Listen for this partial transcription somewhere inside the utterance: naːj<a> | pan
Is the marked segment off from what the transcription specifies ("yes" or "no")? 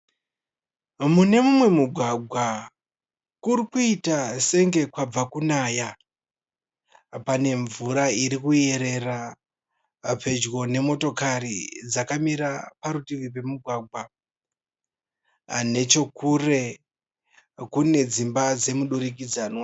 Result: no